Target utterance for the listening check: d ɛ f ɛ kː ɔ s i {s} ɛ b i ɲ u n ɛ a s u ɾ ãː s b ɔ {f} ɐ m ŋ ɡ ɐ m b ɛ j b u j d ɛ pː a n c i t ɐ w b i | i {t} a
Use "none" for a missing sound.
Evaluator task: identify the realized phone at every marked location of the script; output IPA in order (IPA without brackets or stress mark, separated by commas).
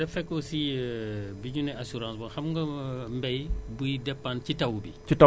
none, x, t